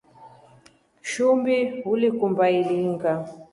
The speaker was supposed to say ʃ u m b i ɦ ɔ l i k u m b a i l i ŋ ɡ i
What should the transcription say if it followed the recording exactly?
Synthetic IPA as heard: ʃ u m b i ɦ u l i k u m b a i l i ŋ ɡ a